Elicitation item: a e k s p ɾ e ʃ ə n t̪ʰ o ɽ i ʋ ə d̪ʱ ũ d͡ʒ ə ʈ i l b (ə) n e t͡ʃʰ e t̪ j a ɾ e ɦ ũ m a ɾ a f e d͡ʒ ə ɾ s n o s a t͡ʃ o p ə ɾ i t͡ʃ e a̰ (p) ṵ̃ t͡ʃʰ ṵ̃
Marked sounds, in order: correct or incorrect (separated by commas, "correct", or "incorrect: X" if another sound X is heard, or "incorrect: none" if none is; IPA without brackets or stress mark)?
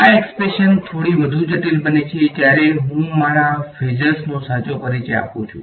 correct, correct